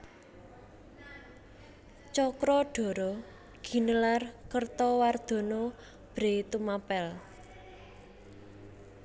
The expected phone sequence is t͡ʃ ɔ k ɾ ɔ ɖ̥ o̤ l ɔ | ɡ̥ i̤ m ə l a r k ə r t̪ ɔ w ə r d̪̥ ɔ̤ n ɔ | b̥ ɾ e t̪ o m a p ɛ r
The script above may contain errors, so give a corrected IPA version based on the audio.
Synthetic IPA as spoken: t͡ʃ ɔ k ɾ ɔ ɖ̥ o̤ ɾ ɔ | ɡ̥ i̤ n ə l a r k ə r t̪ ɔ w a r d̪̥ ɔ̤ n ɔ | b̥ ɾ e t̪ u m a p ɛ l